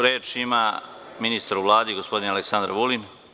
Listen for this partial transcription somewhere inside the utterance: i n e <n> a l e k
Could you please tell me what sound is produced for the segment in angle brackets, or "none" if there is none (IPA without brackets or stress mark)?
none